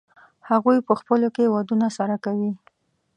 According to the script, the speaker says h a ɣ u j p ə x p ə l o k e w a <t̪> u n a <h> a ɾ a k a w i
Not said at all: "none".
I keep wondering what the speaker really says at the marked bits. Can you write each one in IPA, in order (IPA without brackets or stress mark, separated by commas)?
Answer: d̪, s